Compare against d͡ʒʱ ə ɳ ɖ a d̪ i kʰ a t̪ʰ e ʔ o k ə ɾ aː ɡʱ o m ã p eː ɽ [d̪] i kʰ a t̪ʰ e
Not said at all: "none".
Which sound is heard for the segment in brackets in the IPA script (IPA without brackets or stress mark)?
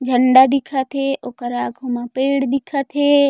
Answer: d̪